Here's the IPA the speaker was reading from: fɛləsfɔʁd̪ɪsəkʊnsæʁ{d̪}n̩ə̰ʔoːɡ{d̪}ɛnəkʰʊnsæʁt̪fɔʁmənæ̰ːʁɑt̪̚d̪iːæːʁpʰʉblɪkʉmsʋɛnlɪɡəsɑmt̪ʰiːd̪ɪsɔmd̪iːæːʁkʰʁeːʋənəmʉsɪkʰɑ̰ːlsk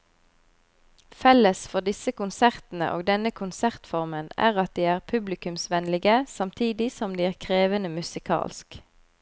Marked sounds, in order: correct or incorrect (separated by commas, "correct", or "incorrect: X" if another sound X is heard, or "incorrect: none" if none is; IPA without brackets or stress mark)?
incorrect: t̪, correct